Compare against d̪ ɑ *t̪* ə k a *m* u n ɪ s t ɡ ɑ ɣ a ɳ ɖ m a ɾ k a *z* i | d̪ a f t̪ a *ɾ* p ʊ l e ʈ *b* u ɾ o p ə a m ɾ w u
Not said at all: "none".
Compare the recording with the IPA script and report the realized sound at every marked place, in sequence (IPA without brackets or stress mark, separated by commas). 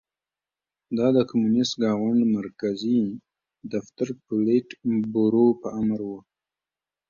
d̪, m, z, ɾ, b